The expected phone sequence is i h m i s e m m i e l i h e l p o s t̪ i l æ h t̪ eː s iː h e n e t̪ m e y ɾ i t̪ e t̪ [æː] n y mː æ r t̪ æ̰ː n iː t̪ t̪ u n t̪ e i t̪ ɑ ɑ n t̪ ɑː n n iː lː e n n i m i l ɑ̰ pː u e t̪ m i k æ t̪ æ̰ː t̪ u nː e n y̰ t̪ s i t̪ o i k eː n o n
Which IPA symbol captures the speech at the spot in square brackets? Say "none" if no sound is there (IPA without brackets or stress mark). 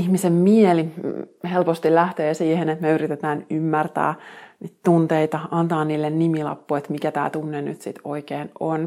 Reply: æː